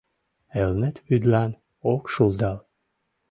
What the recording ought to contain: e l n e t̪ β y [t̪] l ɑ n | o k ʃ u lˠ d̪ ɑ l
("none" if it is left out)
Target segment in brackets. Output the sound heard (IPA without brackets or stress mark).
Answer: d̪